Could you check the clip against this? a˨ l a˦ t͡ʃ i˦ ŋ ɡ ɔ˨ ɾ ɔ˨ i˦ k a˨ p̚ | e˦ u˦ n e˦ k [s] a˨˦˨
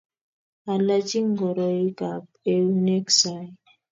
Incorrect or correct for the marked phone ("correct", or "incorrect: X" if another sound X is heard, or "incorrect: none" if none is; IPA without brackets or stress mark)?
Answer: correct